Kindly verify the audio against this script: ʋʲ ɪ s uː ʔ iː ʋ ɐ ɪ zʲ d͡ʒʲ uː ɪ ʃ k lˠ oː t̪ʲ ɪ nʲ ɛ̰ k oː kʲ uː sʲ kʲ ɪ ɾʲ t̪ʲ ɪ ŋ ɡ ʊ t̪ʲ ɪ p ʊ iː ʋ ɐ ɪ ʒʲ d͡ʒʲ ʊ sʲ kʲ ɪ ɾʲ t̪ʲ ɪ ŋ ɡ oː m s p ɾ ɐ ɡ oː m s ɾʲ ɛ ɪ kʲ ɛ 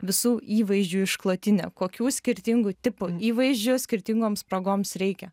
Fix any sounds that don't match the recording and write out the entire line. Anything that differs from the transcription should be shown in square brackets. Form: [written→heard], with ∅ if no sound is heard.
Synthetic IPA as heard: ʋʲ ɪ s uː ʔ iː ʋ ɐ ɪ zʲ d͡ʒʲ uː ɪ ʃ k lˠ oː t̪ʲ ɪ nʲ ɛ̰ k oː kʲ uː sʲ kʲ ɪ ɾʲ t̪ʲ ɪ ŋ ɡ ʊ t̪ʲ ɪ p ʊ iː ʋ ɐ ɪ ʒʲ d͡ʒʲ ʊ sʲ kʲ ɪ ɾʲ t̪ʲ ɪ ŋ ɡ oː m s p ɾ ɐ ɡ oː m s ɾʲ ɛ ɪ kʲ ɛ